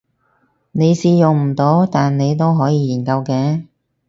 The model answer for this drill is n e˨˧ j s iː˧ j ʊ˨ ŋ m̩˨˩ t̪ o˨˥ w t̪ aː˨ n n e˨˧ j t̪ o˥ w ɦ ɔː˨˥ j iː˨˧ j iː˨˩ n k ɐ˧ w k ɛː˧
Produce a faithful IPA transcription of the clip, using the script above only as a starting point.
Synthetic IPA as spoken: n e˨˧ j s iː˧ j ʊ˨ ŋ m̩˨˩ t̪ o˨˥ w t̪ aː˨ n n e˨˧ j t̪ o˥ w ɦ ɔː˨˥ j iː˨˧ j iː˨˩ n k ɐ˧ w k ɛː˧

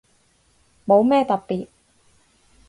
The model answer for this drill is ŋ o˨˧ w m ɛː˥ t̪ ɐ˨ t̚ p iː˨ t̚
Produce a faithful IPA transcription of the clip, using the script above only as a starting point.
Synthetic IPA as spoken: m o˨˧ w m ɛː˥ t̪ ɐ˨ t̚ p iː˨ t̚

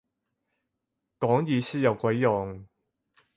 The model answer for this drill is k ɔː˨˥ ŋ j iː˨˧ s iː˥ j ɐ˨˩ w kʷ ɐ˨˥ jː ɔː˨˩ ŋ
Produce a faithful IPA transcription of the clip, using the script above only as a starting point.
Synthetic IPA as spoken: k ɔː˨˥ ŋ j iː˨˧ s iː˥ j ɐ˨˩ w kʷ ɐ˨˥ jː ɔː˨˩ ŋ

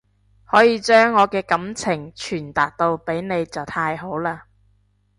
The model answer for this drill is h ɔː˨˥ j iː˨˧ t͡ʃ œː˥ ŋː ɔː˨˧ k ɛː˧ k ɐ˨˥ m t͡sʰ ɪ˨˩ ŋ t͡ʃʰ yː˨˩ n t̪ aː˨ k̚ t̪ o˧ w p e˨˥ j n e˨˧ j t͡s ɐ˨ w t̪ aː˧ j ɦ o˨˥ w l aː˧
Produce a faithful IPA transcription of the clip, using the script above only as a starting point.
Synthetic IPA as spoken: h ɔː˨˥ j iː˨˧ t͡ʃ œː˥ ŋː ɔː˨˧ k ɛː˧ k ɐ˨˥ m t͡sʰ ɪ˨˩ ŋ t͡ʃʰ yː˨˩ n t̪ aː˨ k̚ t̪ o˧ w p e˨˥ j n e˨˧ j t͡s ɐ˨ w t̪ʰ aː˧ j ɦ o˨˥ w l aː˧

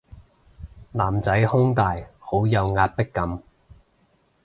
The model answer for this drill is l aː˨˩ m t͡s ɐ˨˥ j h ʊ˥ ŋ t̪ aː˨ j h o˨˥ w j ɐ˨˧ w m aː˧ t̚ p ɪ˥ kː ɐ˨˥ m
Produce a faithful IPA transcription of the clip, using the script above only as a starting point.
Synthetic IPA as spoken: l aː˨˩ m t͡s ɐ˨˥ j h ʊ˥ ŋ t̪ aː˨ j h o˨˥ w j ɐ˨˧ w ŋ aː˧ t̚ p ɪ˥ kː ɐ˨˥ m

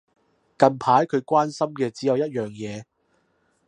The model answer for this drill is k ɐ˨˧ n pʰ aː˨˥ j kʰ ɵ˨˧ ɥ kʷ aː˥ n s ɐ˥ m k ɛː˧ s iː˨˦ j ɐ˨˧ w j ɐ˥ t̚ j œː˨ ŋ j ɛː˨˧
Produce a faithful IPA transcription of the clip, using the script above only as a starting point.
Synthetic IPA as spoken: k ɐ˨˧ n pʰ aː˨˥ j kʰ ɵ˨˧ ɥ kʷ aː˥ n s ɐ˥ m k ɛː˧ t͡s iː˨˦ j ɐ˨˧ w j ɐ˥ t̚ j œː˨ ŋ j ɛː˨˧

